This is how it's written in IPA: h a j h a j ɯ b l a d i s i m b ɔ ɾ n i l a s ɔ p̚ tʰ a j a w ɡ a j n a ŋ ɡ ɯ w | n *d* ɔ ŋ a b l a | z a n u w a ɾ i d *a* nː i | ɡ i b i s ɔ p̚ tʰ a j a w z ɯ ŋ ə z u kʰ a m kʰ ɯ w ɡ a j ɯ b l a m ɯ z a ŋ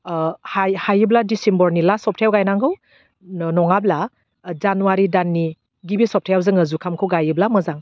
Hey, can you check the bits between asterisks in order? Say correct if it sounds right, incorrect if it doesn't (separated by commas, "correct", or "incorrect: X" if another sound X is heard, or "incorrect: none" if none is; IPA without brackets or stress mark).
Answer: incorrect: n, correct